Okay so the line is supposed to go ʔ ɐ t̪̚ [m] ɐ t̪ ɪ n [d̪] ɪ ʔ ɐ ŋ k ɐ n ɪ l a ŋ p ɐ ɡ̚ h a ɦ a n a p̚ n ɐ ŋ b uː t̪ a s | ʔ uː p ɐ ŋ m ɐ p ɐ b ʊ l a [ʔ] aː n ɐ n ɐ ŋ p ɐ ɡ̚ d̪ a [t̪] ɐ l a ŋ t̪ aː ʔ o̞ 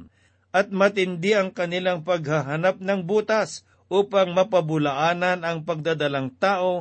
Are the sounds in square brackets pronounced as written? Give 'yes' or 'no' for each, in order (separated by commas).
yes, yes, yes, no